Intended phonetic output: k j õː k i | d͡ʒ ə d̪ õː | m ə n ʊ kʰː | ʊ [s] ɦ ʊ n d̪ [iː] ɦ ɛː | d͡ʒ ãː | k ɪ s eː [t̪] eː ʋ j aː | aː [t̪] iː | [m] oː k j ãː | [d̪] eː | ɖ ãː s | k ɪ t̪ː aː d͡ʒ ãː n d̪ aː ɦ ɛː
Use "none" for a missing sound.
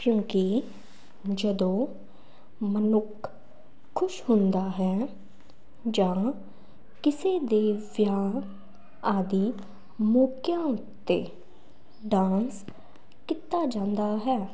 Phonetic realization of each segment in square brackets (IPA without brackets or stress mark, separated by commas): ʃ, aː, d̪, d̪, m, t̪